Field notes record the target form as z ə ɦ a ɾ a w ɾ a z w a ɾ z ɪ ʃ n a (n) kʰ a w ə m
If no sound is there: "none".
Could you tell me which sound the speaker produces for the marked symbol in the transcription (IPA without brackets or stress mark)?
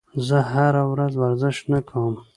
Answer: none